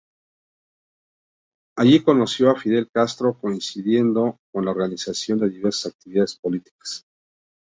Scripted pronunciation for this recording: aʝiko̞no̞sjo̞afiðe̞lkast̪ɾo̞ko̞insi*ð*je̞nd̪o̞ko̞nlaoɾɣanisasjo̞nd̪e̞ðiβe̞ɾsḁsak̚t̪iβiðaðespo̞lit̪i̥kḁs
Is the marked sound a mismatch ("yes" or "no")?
no